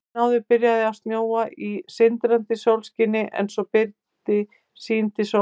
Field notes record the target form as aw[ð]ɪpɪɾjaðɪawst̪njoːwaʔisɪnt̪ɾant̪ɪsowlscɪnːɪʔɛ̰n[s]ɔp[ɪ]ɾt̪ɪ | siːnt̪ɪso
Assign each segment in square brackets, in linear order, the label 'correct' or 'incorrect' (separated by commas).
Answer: correct, correct, correct